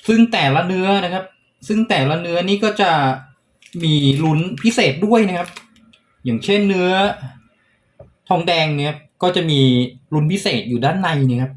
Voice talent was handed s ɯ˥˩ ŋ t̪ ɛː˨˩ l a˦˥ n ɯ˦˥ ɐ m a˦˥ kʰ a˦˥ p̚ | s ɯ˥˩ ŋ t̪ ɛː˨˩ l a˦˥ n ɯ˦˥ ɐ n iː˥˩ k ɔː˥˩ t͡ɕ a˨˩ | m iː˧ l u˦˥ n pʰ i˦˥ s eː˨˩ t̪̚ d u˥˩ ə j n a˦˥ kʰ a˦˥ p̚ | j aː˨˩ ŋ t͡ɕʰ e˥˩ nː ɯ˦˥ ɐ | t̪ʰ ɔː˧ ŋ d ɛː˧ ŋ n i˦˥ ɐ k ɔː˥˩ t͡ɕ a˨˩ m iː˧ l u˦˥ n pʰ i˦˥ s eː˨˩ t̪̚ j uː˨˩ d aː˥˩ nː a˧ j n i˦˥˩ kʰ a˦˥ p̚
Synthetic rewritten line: s ɯ˥˩ ŋ t̪ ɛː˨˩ l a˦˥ n ɯ˦˥ ɐ n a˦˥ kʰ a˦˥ p̚ | s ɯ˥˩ ŋ t̪ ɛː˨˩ l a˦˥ n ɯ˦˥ ɐ n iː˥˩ k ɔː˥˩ t͡ɕ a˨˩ | m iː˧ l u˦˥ n pʰ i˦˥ s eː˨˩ t̪̚ d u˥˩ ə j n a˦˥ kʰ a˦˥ p̚ | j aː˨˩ ŋ t͡ɕʰ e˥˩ nː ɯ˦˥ ɐ | t̪ʰ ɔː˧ ŋ d ɛː˧ ŋ n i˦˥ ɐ k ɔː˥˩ t͡ɕ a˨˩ m iː˧ l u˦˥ n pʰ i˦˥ s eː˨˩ t̪̚ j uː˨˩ d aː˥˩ nː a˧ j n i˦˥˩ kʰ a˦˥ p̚

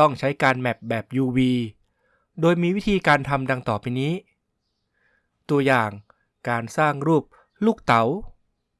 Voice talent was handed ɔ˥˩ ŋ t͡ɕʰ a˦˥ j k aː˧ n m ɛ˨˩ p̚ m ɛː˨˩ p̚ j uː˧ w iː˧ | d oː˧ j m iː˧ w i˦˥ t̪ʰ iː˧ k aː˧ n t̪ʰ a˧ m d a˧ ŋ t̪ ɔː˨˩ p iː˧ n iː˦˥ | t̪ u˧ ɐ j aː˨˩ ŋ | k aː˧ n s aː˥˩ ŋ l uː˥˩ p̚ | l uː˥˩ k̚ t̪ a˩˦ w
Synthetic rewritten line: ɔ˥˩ ŋ t͡ɕʰ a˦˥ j k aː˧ n m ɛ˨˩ p̚ b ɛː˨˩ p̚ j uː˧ w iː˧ | d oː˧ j m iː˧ w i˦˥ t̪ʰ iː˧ k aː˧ n t̪ʰ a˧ m d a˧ ŋ t̪ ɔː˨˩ p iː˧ n iː˦˥ | t̪ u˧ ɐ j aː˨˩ ŋ | k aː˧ n s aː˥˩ ŋ ɾ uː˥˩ p̚ | l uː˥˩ k̚ t̪ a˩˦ w

